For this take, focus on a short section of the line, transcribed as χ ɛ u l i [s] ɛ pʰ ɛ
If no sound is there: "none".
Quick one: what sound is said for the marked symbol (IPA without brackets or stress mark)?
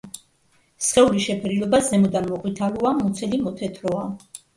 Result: ʃ